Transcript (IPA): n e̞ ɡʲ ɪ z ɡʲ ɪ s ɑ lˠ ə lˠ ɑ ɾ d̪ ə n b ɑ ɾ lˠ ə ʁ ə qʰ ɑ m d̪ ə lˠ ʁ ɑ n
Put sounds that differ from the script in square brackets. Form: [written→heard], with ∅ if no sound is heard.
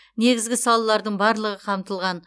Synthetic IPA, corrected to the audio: n e̞ ɡʲ ɪ z ɡʲ ɪ s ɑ lˠ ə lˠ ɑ ɾ d̪ ə [n→ɴ] b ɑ ɾ lˠ ə ʁ ə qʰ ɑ m [d̪→t̪] ə lˠ ʁ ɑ n